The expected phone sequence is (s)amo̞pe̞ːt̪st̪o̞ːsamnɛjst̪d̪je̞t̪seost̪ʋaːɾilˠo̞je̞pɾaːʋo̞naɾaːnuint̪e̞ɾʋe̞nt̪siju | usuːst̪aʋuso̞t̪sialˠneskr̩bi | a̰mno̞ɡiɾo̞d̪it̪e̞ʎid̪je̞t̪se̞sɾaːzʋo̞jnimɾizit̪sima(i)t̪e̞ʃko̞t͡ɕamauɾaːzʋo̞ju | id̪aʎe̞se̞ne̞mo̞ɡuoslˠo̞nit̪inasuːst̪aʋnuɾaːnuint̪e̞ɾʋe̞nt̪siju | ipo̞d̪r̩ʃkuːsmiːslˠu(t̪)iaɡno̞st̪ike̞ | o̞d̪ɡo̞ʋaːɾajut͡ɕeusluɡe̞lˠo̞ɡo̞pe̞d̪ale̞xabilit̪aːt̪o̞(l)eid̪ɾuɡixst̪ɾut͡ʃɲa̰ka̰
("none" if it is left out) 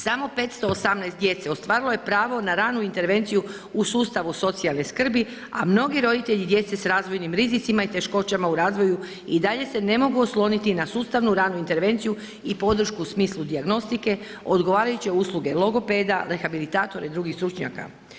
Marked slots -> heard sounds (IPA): s, i, d̪, ɾ

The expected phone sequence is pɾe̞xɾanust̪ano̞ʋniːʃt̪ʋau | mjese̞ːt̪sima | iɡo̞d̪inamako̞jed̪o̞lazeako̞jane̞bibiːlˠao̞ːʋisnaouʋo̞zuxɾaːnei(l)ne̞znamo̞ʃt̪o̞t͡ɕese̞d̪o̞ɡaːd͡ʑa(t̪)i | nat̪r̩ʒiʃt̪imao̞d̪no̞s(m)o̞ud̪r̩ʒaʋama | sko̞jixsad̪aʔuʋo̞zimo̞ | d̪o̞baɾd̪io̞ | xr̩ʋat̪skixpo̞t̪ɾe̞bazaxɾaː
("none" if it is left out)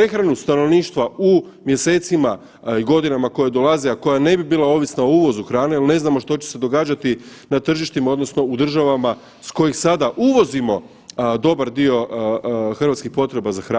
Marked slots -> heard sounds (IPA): l, t̪, n

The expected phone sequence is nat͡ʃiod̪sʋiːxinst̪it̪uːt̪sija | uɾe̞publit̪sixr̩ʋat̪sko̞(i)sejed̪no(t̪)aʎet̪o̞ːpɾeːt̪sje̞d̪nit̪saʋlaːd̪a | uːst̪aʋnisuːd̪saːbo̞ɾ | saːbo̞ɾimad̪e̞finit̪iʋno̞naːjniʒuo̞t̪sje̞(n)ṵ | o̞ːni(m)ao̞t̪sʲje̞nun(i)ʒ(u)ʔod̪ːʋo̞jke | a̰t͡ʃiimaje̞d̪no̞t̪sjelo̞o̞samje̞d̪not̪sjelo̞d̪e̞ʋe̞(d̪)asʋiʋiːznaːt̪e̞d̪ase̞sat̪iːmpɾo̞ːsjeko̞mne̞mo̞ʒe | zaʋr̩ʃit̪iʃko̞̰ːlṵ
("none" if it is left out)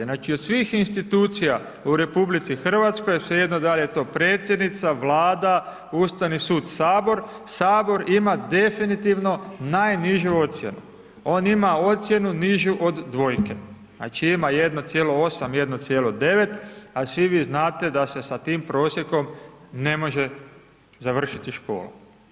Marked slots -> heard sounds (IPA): j, d̪, n, m, i, u, t̪

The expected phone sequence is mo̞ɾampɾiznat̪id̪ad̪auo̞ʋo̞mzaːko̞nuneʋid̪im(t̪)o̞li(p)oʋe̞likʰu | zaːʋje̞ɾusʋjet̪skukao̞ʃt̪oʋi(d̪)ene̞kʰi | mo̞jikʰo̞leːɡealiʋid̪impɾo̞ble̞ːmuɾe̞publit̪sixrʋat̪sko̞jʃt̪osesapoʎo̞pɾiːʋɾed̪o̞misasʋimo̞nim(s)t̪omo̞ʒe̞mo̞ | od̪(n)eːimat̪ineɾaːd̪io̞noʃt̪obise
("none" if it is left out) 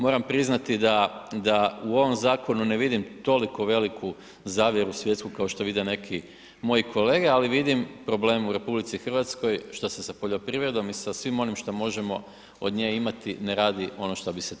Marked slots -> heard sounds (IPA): t̪, k, d̪, ʃ, ɲ

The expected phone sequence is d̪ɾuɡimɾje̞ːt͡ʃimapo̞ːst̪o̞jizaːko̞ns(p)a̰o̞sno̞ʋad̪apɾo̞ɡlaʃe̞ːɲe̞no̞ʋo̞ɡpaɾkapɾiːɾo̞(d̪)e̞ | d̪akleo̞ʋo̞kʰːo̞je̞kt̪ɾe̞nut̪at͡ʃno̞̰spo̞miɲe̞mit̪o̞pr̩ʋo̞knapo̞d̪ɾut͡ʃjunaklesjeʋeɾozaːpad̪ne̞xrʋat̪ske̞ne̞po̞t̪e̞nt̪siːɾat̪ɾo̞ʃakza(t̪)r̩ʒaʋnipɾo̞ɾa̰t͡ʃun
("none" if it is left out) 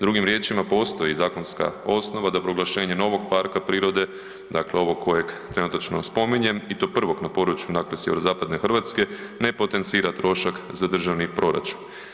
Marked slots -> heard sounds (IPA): k, d̪, d̪

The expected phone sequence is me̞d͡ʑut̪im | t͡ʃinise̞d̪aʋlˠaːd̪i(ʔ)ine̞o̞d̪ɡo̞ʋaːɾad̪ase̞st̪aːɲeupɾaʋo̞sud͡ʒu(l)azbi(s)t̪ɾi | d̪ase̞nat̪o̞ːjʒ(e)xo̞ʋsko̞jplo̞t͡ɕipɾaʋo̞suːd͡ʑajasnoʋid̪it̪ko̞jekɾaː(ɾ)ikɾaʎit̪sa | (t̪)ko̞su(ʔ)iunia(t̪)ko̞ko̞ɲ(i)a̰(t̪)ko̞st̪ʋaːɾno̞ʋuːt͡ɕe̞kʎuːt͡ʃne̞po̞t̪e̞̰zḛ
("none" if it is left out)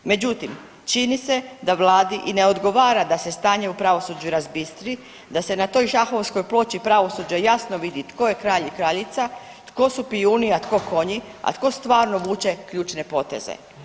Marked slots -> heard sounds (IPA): ʔ, ɾ, s, a, ʎ, t̪, p, t̪, i, t̪

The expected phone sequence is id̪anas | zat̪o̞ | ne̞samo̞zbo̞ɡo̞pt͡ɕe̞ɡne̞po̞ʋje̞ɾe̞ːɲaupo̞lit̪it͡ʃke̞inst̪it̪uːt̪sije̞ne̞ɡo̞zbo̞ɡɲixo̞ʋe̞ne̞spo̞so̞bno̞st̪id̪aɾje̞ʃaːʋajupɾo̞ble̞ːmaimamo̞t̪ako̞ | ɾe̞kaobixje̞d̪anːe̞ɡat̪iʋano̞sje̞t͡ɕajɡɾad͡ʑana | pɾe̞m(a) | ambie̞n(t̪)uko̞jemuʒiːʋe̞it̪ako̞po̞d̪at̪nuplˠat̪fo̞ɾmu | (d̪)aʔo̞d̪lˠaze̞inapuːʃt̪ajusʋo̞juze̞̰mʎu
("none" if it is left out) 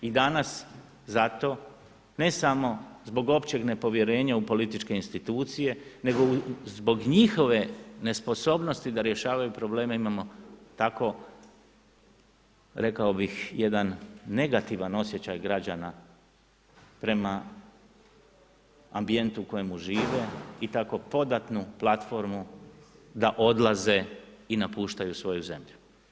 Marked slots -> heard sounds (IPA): a, t̪, d̪

